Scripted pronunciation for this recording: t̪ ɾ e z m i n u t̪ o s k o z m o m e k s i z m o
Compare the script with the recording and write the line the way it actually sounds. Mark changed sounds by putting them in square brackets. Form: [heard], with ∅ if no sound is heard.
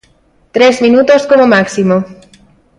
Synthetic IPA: t̪ ɾ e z m i n u t̪ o s k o [∅] m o m [a] k s i [∅] m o